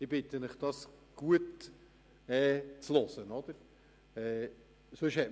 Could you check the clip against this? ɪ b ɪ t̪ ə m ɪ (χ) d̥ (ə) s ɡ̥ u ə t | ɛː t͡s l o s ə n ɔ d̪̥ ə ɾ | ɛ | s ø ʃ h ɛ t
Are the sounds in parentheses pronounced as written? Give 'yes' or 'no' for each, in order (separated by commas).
yes, no